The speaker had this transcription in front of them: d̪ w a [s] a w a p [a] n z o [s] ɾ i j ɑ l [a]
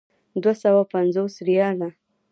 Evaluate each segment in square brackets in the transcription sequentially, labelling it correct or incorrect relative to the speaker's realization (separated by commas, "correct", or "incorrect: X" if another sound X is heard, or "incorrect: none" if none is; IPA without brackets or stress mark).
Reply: correct, correct, correct, correct